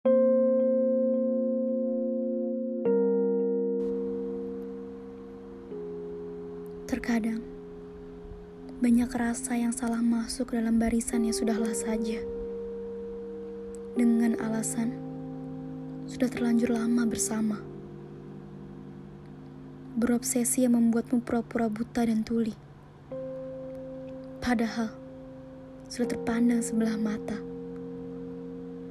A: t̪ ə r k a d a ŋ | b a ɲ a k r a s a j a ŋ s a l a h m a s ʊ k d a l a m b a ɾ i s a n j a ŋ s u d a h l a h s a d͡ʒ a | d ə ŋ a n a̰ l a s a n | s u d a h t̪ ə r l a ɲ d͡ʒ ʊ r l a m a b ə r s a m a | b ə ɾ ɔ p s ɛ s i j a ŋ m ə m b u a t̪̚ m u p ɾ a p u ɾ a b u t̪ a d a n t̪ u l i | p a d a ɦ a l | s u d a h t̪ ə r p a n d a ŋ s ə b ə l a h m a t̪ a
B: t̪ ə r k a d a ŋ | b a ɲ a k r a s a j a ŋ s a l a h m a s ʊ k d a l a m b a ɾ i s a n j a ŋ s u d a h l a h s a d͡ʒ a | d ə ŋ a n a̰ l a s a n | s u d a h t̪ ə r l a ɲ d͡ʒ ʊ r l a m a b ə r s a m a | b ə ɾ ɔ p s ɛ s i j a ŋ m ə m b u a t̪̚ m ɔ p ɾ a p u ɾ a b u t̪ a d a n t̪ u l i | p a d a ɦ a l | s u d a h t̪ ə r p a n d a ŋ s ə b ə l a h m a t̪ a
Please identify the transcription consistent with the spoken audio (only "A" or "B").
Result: A